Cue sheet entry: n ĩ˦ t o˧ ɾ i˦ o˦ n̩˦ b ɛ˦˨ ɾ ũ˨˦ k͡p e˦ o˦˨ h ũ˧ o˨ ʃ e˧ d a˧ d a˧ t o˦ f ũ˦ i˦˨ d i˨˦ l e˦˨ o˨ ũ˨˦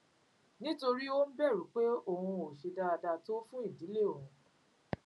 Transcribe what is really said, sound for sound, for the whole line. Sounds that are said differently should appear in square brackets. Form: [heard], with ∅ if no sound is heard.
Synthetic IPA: n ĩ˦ t o˧ ɾ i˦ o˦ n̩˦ b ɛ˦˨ ɾ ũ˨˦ k͡p e˦ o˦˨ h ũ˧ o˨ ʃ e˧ d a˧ d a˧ t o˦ f ũ˦ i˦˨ d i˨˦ l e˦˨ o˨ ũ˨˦